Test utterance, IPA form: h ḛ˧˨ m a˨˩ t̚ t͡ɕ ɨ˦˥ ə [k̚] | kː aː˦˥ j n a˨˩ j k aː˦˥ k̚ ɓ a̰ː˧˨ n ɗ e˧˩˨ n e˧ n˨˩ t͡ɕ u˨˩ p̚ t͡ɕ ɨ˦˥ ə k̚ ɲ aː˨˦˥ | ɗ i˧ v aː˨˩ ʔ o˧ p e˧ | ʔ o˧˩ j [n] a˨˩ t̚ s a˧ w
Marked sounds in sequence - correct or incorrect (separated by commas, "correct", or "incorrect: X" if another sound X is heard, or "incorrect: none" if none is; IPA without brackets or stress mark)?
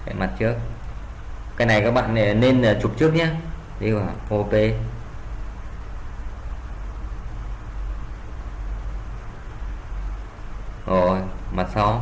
correct, incorrect: m